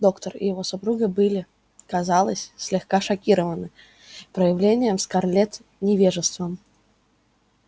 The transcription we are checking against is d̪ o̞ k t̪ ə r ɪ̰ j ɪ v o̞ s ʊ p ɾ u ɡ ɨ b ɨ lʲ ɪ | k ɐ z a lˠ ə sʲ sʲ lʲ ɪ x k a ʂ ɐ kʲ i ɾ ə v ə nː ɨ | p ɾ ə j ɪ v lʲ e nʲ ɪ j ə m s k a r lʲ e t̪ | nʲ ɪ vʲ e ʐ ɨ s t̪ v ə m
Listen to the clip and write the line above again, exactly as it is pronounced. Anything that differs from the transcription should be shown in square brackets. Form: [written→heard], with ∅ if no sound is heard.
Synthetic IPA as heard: d̪ o̞ k t̪ ə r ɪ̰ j ɪ v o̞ s ʊ p ɾ u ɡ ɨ b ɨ lʲ ɪ | k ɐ z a lˠ ə sʲ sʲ lʲ ɪ x k a ʂ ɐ kʲ i ɾ ə v ə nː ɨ | p ɾ ə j ɪ v lʲ e nʲ ɪ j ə m s k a r lʲ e t̪ | nʲ ɪ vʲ e ʐ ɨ s t̪ v ə m

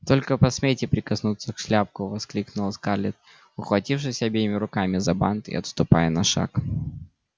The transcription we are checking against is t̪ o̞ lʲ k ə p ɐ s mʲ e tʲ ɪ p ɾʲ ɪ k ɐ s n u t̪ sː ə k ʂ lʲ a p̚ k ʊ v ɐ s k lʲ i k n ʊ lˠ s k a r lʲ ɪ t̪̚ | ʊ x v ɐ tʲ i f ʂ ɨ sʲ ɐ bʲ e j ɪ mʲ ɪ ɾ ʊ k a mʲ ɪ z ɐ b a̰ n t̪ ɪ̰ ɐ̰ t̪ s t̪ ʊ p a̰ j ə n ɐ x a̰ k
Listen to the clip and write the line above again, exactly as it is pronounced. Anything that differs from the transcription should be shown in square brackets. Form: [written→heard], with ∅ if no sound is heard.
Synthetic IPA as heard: t̪ o̞ lʲ k ə p ɐ s mʲ e tʲ ɪ p ɾʲ ɪ k ɐ s n u t̪ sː ə k ʂ lʲ a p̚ k ʊ v ɐ s k lʲ i k n ʊ lˠ s k a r lʲ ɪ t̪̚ | ʊ x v ɐ tʲ i f ʂ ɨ sʲ ɐ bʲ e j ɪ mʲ ɪ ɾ ʊ k a mʲ ɪ z ɐ b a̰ n t̪ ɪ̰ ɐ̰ t̪ s t̪ ʊ p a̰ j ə n ɐ [x→ʂ] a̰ k

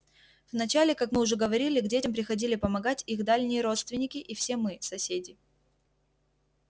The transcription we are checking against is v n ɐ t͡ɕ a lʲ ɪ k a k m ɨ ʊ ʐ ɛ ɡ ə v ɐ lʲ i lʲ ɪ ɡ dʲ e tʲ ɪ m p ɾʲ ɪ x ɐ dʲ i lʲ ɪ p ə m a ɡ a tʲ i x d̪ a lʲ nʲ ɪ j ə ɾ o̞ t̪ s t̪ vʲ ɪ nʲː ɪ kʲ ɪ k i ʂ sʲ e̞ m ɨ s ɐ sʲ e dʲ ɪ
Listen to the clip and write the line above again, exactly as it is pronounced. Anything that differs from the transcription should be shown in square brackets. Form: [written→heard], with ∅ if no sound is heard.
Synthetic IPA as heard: v n ɐ t͡ɕ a lʲ ɪ k a k m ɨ ʊ ʐ ɛ ɡ ə v ɐ [lʲ→ɾʲ] i lʲ ɪ ɡ dʲ e tʲ ɪ m p ɾʲ ɪ x ɐ dʲ i lʲ ɪ p ə m [a→ɐ] ɡ a tʲ i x d̪ a lʲ nʲ ɪ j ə ɾ o̞ t̪ s t̪ vʲ ɪ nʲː ɪ kʲ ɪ [k→ʔ] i [ʂ→f] sʲ e̞ m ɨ s ɐ sʲ e dʲ ɪ

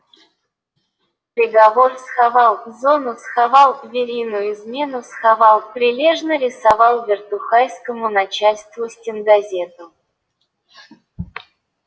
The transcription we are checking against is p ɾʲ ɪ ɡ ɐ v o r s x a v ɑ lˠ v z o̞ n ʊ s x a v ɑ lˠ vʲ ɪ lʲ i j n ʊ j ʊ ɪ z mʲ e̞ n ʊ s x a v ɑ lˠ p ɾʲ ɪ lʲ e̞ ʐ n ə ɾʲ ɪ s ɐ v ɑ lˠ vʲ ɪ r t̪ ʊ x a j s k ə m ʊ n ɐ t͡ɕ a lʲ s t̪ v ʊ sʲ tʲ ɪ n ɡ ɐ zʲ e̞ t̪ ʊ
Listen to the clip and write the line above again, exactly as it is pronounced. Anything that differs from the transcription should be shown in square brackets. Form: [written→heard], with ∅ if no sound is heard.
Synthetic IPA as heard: p ɾʲ ɪ ɡ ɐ v o r s x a v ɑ lˠ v z o̞ n ʊ s x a v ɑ lˠ vʲ ɪ [lʲ→ɾʲ] i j n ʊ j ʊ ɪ z mʲ e̞ n ʊ s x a v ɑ lˠ p ɾʲ ɪ lʲ e̞ ʐ n ə ɾʲ ɪ s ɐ v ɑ lˠ vʲ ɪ r t̪ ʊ x a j s k ə m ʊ n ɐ t͡ɕ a lʲ s t̪ v ʊ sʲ tʲ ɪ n ɡ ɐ zʲ e̞ t̪ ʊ

